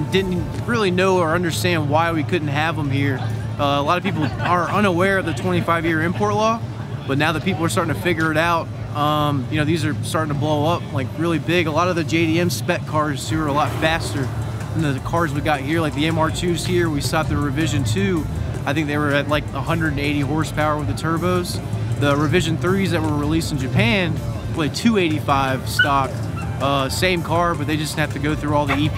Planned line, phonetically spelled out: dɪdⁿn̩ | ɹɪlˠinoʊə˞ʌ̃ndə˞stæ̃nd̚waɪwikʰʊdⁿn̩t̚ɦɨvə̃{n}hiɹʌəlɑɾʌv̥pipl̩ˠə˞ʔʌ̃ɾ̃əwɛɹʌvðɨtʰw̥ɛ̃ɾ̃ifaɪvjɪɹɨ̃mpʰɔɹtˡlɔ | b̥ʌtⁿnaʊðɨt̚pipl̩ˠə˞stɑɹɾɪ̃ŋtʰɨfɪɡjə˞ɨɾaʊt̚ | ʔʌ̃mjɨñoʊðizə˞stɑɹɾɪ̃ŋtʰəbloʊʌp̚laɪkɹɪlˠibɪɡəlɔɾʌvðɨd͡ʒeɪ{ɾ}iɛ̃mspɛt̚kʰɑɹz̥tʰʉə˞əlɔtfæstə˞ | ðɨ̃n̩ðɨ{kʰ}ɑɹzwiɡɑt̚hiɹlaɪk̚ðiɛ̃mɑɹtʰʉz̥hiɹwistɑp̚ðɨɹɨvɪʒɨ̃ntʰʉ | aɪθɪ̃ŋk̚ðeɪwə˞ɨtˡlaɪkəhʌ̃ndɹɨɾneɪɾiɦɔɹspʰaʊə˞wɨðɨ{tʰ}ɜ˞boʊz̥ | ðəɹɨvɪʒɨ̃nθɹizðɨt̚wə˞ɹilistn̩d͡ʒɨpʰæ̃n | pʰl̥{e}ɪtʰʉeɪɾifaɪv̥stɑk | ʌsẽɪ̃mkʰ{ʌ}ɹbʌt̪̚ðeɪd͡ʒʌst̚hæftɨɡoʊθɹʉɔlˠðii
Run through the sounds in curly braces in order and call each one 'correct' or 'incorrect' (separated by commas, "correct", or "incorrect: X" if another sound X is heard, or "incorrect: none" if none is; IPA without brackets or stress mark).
incorrect: m, correct, correct, correct, correct, incorrect: ɑ